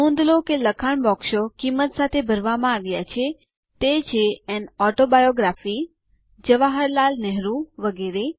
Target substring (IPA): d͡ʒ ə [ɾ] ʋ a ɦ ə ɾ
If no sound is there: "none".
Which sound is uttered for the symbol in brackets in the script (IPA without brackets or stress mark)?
none